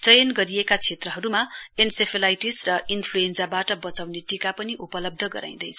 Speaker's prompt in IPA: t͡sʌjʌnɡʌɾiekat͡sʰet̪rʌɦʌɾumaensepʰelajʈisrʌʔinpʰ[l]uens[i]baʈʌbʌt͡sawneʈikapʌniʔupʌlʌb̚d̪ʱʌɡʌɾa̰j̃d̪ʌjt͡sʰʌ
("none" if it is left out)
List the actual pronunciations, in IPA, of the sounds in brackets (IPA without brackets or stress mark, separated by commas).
l, a